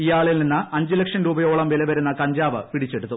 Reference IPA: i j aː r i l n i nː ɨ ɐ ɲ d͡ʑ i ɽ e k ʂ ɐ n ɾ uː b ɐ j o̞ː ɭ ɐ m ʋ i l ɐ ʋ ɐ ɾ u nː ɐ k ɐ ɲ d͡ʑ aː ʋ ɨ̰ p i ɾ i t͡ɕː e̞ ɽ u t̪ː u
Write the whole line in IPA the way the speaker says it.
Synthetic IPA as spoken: i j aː ɭ i l n i nː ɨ ɐ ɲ d͡ʑ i l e k ʂ ɐ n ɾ uː b ɐ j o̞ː ɭ ɐ m ʋ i l ɐ ʋ ɐ ɾ u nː ɐ k ɐ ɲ d͡ʑ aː ʋ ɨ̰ p i ɽ i t͡ɕː e̞ ɽ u t̪ː u